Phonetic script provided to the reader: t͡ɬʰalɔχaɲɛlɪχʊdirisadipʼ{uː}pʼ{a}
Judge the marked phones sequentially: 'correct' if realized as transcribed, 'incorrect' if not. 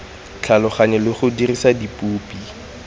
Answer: correct, incorrect: i

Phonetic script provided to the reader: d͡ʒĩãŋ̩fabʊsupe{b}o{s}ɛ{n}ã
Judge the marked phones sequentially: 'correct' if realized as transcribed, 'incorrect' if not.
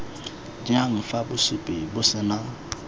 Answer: correct, correct, correct

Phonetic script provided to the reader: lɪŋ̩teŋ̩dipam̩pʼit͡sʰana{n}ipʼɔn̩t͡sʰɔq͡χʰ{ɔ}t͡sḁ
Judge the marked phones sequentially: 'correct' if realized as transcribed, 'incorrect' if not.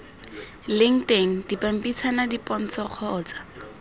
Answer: incorrect: d, incorrect: ɔː

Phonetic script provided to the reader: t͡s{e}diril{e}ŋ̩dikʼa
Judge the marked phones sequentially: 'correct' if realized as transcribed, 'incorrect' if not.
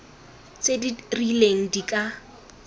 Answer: correct, correct

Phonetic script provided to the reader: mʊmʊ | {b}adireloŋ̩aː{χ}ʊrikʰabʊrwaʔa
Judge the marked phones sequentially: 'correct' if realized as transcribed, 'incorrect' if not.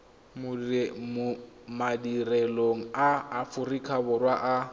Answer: incorrect: m, incorrect: f

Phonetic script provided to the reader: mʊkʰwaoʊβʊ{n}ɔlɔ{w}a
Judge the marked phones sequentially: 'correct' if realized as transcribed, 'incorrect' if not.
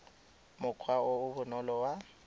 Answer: correct, correct

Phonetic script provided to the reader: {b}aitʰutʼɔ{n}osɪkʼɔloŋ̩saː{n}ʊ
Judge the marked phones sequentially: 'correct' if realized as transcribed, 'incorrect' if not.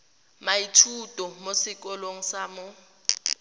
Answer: incorrect: m, incorrect: m, incorrect: m

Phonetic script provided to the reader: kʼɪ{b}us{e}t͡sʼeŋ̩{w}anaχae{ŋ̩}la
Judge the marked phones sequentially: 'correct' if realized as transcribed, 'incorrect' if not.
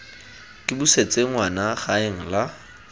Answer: correct, correct, correct, correct

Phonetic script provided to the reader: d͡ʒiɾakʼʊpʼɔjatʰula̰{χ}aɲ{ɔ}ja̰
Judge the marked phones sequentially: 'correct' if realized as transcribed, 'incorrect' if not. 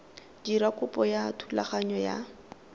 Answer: correct, correct

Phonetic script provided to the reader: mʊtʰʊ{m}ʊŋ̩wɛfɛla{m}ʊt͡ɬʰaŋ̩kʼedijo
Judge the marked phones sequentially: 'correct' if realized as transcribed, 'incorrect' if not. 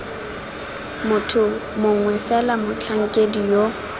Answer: correct, correct

